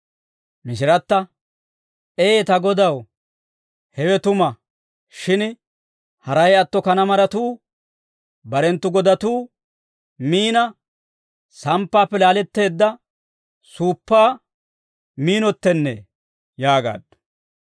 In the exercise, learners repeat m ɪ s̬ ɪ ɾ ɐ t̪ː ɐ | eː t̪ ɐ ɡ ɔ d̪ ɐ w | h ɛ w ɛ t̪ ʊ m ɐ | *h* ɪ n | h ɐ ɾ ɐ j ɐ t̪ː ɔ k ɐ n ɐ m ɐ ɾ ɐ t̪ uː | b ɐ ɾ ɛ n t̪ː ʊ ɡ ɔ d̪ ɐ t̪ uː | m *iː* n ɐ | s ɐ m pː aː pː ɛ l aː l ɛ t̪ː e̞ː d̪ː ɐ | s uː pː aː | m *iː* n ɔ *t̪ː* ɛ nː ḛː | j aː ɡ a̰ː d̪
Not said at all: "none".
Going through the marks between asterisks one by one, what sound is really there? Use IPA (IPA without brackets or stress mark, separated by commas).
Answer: ʃ, iː, iː, t̪ː